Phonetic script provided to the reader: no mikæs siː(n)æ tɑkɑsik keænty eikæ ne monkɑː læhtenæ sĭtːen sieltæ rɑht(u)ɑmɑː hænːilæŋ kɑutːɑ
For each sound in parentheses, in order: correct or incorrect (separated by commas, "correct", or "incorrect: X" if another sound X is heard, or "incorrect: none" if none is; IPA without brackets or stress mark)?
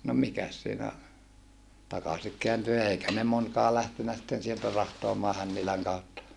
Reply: correct, incorrect: o